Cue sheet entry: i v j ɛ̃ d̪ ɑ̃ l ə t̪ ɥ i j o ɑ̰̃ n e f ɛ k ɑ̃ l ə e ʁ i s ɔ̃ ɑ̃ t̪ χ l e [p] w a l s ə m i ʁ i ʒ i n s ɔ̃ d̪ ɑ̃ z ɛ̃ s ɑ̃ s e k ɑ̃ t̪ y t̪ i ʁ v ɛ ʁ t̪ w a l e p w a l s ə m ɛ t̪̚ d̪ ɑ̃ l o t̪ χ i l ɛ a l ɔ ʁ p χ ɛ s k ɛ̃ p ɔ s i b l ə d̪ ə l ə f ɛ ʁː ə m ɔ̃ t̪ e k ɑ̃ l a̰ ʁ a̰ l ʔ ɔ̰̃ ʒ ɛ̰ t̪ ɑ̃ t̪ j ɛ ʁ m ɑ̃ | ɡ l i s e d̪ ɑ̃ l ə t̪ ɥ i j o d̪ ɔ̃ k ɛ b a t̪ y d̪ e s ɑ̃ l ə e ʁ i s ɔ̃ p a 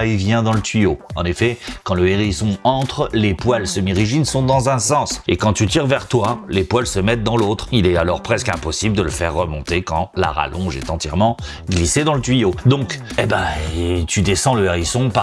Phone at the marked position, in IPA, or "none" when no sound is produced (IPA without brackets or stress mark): p